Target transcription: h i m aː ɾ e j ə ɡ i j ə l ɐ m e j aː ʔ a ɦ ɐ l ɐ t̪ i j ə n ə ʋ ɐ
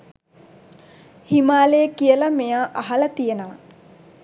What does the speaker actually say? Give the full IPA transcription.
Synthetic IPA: h i m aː l e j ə k i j ə l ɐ m e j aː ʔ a ɦ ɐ l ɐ t̪ i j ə n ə ʋ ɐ